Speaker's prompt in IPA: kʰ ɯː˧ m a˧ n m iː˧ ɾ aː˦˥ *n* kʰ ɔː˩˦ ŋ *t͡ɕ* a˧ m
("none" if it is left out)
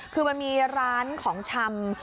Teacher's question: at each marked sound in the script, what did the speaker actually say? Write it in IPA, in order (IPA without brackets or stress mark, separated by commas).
n, t͡ɕʰ